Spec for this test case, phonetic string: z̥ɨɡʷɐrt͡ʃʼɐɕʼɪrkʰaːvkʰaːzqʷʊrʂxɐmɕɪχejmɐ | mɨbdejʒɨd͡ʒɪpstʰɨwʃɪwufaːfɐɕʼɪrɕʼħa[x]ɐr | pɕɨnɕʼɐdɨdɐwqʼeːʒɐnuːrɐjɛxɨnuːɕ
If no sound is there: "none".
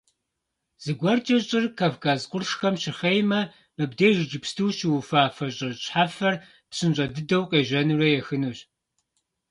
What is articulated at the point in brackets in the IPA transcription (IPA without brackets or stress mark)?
f